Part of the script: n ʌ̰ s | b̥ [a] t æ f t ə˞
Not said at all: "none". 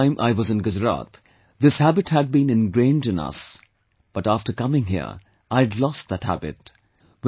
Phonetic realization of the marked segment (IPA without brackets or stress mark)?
ʌ